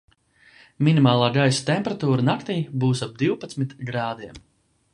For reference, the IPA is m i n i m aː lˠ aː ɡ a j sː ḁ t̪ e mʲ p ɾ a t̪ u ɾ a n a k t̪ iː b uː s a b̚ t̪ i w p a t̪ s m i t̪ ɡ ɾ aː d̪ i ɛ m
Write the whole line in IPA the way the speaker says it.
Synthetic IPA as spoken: m i n i m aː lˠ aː ɡ a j s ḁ t̪ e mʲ p ɾ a t̪ uː ɾ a n a k t̪ iː b uː s a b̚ d̪ i w p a t̪ s m i t̪ ɡ ɾ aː d̪ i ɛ m